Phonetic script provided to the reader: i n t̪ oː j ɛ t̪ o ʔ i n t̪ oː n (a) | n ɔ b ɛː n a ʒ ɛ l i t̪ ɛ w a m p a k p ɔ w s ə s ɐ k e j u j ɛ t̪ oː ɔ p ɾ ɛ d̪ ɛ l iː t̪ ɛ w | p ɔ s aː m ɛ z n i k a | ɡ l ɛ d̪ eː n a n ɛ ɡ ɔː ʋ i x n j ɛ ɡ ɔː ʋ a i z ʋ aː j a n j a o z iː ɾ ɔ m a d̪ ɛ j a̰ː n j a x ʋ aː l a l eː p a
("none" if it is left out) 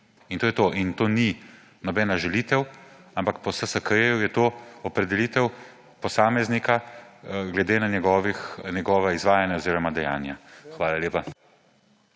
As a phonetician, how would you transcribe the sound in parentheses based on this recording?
i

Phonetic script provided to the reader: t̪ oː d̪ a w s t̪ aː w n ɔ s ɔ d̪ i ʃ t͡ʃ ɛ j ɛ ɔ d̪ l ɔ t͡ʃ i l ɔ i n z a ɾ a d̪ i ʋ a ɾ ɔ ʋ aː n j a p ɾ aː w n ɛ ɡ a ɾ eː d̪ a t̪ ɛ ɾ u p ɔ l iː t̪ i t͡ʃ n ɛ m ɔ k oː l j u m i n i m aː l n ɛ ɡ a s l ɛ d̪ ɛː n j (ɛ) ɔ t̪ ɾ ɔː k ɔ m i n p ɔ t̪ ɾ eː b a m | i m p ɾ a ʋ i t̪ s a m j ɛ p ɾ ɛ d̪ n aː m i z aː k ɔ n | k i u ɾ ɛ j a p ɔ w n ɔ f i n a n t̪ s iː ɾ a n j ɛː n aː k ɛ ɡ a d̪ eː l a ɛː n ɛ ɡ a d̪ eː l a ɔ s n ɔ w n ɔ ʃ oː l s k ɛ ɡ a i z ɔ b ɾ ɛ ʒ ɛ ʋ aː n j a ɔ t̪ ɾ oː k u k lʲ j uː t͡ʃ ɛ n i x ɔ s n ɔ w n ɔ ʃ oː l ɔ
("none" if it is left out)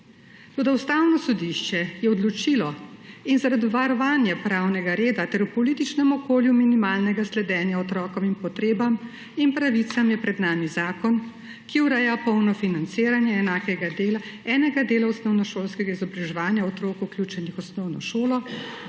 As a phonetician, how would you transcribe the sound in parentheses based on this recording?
a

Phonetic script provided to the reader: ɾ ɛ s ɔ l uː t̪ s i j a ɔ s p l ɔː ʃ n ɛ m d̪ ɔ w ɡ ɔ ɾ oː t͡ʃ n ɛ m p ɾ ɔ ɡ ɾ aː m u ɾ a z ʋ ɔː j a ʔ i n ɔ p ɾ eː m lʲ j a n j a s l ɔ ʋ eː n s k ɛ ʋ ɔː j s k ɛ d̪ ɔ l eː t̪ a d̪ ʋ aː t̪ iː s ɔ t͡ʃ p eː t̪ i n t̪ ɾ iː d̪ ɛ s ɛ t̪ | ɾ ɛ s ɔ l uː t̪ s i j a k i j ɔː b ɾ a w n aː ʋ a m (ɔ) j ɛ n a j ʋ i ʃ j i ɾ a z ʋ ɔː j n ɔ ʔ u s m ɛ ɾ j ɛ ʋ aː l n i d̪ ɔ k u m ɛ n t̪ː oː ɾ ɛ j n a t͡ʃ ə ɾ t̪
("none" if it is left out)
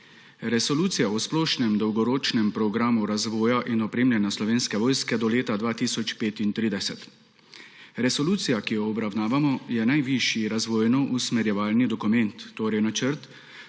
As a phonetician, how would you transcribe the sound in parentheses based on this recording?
ɔ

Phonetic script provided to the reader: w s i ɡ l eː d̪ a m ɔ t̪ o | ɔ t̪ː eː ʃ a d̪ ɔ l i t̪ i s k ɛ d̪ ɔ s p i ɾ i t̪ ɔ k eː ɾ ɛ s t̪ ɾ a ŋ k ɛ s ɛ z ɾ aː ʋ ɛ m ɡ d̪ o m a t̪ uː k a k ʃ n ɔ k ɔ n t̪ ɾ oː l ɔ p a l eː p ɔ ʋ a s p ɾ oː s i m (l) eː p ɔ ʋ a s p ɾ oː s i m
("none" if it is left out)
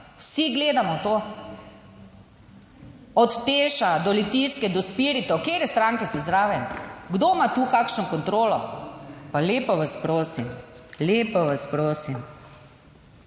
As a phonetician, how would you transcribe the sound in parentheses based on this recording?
l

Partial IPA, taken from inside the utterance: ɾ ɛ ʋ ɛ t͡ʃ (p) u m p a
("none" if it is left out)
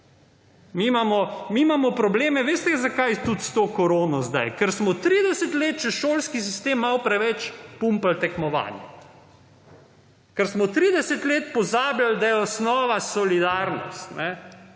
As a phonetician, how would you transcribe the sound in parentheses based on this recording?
p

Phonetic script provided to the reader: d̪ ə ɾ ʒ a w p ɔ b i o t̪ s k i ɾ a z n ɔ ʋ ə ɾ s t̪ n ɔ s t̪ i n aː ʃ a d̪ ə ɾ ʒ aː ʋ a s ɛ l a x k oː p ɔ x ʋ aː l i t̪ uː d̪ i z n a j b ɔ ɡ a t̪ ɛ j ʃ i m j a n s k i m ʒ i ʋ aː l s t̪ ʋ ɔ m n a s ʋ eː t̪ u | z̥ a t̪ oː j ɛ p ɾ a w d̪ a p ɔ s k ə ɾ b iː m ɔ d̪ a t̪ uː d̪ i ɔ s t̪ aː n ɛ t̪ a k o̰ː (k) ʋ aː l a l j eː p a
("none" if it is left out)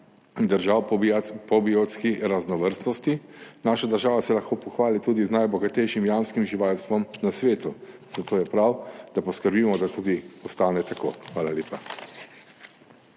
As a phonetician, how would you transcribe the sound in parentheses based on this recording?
x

